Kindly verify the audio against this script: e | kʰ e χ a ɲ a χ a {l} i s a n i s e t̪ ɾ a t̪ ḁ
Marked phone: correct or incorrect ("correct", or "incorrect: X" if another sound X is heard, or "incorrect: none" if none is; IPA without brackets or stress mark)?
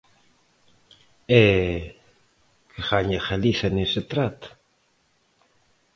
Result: correct